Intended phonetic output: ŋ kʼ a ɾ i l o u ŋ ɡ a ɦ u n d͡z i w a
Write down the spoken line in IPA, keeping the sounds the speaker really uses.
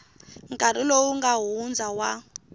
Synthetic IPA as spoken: ŋ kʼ a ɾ i l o u ŋ ɡ a ɦ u n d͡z a w a

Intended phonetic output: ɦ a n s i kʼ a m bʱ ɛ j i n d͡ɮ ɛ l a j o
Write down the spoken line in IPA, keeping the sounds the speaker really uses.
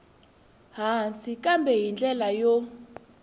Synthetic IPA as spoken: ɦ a n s i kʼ a m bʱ ɛ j i n d͡ɮ ɛ l a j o

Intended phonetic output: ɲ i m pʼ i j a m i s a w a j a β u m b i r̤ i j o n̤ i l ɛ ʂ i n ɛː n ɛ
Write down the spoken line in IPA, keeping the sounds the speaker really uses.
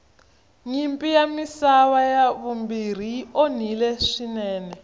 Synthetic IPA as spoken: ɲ i m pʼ i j a m i s a β a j a β u m b i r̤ i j o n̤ i l ɛ ʂ i n ɛː n ɛ

